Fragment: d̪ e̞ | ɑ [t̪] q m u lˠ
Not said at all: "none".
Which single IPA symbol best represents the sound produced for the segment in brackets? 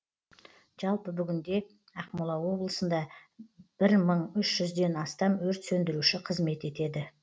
none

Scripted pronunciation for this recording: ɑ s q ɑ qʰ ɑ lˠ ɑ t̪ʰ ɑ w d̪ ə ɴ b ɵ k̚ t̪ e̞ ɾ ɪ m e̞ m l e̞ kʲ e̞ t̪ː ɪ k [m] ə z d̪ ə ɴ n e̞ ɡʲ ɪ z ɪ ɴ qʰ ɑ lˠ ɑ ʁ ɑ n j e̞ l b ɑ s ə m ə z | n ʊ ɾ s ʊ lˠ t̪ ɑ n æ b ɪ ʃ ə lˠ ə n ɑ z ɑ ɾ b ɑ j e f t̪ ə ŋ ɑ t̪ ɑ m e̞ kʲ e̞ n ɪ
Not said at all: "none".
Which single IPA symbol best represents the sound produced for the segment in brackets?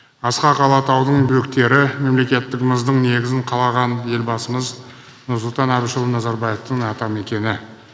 m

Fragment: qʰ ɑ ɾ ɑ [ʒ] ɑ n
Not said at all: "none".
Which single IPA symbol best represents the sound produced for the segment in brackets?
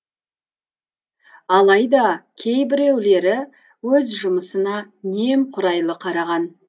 ʁ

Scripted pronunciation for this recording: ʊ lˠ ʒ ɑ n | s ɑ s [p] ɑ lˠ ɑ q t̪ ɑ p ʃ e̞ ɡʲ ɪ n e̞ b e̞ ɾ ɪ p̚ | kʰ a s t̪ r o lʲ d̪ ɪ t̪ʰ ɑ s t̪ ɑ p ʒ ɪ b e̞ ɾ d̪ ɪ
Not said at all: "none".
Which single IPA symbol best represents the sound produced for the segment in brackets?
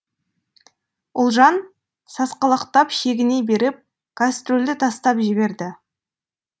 q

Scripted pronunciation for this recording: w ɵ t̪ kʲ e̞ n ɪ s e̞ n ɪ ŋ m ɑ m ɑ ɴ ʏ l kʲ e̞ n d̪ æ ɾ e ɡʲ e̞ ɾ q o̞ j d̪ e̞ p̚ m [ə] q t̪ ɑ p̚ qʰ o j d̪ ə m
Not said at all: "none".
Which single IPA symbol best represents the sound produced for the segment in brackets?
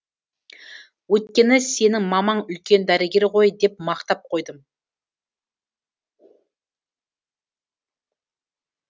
ɑ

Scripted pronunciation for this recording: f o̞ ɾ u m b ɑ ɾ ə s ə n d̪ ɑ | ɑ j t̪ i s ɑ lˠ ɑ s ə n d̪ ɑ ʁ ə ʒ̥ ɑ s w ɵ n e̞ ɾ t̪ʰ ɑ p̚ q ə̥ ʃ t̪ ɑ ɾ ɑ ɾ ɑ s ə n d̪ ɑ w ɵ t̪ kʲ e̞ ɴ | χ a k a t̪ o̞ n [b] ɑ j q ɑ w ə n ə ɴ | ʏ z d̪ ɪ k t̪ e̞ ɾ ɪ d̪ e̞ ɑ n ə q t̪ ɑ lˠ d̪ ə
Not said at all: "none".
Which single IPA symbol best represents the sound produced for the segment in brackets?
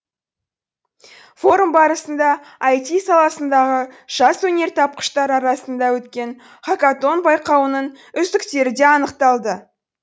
b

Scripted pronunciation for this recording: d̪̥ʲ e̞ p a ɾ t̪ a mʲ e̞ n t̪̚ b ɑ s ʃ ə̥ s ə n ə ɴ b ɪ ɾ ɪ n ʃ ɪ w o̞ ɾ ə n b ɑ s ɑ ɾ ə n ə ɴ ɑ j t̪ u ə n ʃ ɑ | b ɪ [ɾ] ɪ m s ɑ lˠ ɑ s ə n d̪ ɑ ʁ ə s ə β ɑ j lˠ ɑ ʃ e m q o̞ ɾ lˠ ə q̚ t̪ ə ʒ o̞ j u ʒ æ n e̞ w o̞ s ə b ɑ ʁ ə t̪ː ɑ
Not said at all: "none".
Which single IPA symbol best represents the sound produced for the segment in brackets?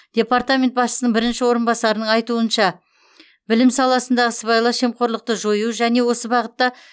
l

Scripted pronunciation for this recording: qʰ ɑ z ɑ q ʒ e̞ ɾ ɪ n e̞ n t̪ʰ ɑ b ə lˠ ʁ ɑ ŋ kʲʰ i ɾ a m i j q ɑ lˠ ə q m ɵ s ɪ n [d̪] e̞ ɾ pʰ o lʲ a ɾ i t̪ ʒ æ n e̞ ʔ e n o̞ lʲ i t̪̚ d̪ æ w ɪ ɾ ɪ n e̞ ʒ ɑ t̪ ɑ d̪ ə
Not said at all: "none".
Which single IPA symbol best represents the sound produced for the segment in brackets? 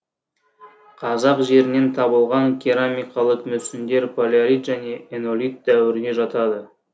d̪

